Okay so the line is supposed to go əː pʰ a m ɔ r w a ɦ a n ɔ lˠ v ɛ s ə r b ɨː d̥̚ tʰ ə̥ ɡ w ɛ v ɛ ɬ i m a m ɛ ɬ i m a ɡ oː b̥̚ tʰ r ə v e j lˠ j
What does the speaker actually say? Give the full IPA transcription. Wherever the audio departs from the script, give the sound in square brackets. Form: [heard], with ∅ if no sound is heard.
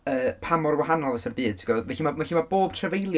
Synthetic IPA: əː pʰ a m ɔ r w a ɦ a n ɔ lˠ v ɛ s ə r b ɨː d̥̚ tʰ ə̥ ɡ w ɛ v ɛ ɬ i m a m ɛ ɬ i m a [b] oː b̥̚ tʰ r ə v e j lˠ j